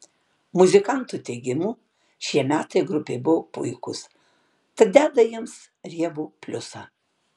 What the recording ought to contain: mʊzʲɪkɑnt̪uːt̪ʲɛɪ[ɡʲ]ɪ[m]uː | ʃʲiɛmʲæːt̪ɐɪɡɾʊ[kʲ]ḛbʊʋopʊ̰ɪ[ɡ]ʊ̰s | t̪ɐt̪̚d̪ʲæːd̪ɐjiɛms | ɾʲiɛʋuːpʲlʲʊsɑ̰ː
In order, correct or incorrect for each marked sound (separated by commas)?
correct, correct, incorrect, incorrect